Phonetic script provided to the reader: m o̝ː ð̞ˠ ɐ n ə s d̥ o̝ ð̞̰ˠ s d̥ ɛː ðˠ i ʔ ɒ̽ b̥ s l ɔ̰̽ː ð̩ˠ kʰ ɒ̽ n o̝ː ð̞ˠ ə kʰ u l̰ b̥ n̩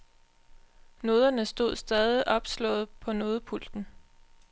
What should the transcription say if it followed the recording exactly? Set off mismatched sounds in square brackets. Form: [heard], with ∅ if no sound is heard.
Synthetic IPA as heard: [n] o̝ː ð̞ˠ ɐ n ə s d̥ o̝ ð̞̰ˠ s d̥ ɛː ðˠ i ʔ ɒ̽ b̥ s l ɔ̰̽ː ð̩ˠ [pʰ] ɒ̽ n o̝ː ð̞ˠ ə [pʰ] u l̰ [d̥] n̩